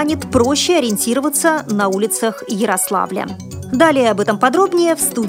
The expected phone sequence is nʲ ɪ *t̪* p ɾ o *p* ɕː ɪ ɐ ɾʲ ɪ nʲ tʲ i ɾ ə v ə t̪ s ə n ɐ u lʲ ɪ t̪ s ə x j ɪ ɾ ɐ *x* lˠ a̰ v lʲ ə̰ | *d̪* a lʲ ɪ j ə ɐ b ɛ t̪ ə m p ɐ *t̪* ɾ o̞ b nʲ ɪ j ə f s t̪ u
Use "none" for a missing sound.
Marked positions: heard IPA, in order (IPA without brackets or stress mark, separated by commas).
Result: t̪, none, s, d̪, d̪